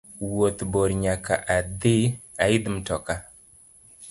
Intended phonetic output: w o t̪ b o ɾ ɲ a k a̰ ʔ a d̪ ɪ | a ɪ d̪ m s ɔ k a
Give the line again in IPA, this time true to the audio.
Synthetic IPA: w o t̪ b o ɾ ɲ a k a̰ ʔ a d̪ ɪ | a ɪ d̪ m t ɔ k a